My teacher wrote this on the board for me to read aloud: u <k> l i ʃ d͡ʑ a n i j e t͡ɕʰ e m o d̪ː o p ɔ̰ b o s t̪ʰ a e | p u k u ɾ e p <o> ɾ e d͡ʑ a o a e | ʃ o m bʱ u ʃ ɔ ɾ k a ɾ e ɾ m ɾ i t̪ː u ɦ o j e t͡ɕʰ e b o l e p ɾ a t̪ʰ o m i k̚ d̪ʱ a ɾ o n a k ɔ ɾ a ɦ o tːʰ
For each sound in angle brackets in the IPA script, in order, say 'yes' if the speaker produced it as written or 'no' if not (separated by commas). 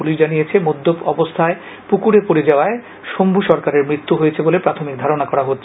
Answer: no, yes